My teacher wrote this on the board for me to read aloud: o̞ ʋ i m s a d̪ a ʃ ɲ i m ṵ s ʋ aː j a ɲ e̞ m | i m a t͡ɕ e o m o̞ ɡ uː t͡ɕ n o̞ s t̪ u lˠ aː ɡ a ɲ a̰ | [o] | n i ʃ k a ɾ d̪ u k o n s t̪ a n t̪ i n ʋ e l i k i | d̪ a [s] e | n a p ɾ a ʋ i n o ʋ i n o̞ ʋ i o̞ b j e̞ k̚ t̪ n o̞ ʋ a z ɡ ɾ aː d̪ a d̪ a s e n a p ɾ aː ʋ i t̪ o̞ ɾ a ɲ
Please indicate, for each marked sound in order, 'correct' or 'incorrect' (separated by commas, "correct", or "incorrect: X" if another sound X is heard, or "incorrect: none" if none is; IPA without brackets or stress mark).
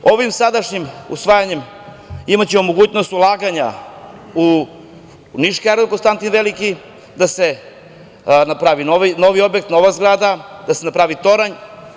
incorrect: u, correct